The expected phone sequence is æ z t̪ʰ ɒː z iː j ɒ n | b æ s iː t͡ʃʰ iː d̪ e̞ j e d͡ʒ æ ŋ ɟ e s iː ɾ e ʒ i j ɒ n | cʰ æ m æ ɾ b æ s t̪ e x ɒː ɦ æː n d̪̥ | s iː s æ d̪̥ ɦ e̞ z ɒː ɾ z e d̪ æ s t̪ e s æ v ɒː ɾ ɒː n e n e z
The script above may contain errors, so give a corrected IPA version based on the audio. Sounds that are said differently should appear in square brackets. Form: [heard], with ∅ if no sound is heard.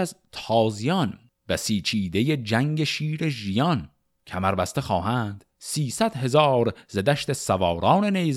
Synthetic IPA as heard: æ z t̪ʰ ɒː z [i] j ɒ n | b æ s iː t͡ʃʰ iː d̪ e̞ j e d͡ʒ æ ŋ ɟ e [ʃ] iː ɾ e ʒ i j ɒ n | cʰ æ m æ ɾ b æ s t̪ e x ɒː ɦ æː n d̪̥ | s iː s æ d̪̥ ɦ e̞ z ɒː ɾ z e d̪ æ [ʃ] t̪ e s æ v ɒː ɾ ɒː n e n e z